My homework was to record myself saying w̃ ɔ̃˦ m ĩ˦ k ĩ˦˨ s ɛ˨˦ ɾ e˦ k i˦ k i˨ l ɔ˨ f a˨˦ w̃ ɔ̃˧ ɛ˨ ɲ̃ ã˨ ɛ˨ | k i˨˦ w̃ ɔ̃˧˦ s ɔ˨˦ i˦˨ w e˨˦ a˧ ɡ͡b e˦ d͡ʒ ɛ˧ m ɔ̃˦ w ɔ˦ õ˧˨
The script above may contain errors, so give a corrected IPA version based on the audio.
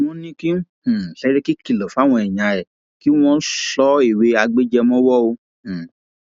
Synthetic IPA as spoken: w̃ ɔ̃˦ n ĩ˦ k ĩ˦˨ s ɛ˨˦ ɾ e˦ k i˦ k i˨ l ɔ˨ f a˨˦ w̃ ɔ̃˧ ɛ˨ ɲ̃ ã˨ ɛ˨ | k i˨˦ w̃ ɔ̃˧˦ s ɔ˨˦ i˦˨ w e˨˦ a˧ ɡ͡b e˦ d͡ʒ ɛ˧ m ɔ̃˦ w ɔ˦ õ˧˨